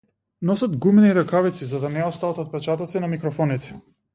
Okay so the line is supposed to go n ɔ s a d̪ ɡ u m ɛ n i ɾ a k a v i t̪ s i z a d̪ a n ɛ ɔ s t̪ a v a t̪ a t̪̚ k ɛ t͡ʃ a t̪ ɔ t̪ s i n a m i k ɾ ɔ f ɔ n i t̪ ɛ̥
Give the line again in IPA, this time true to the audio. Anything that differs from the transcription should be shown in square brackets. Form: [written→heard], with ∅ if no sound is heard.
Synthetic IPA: n ɔ s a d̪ ɡ u m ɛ n i ɾ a k a v i t̪ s i z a d̪ a n ɛ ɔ s t̪ a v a t̪ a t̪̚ [k→p] ɛ t͡ʃ a t̪ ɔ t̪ s i n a m i k ɾ ɔ f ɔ n i t̪ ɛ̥